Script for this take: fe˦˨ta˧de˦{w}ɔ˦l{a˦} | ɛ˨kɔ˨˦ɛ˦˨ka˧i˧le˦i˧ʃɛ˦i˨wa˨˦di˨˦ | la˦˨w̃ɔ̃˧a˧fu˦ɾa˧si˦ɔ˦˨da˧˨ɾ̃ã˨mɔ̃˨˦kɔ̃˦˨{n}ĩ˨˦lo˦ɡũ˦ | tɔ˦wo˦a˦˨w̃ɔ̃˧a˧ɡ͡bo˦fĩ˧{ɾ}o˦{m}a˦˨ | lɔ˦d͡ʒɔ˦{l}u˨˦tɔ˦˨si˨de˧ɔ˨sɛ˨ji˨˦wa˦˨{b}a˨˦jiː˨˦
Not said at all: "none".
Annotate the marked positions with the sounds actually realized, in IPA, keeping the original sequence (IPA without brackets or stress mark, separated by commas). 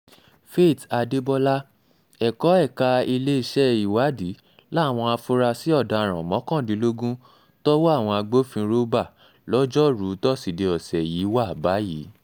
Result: b, a˦, d, ɾ, b, ɾ, b